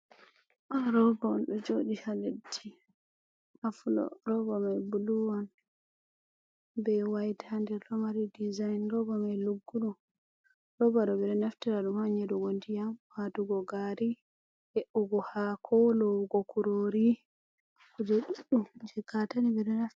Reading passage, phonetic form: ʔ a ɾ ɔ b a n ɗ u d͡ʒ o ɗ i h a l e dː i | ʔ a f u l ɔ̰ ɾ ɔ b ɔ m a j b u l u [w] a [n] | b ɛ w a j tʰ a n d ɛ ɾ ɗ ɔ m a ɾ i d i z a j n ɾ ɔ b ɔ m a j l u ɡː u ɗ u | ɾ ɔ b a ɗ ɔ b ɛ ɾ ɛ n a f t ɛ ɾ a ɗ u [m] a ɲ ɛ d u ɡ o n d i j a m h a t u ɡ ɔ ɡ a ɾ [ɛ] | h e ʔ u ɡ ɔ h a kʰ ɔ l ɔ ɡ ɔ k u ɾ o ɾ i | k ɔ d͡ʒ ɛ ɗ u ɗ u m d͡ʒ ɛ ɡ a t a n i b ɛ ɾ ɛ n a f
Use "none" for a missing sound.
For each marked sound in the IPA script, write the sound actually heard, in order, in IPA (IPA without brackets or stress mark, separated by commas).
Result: w, n, m, i